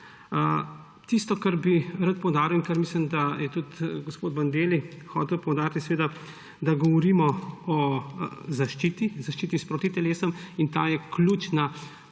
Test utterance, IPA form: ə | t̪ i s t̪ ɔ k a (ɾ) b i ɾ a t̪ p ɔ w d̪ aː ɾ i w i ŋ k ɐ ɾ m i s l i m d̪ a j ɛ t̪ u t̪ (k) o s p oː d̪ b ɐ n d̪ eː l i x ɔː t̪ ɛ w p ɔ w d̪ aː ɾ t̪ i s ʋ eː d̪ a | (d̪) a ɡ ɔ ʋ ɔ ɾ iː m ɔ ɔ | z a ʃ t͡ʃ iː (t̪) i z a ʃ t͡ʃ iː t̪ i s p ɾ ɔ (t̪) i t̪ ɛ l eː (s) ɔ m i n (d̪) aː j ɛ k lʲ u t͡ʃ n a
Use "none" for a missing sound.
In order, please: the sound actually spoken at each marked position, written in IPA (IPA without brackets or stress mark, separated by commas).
ɾ, ɡ, d̪, t̪, t̪, s, t̪